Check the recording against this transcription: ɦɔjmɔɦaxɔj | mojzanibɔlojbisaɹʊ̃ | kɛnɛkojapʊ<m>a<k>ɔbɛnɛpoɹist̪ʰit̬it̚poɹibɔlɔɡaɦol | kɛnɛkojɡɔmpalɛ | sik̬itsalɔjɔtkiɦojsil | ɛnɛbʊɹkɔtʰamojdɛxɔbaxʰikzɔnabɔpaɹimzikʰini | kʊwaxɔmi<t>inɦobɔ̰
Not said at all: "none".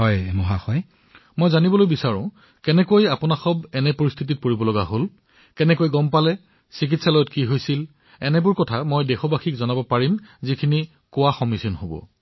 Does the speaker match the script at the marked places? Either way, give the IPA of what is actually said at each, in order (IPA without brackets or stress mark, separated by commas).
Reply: n, x, s